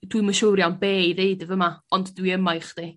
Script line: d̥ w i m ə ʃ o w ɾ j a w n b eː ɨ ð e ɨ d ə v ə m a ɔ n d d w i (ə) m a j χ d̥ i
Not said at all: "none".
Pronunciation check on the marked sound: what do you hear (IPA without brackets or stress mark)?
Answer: ə